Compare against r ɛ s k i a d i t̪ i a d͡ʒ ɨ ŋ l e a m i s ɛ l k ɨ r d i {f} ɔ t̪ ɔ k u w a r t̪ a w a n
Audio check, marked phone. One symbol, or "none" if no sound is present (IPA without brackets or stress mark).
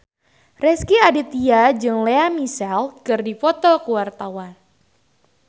f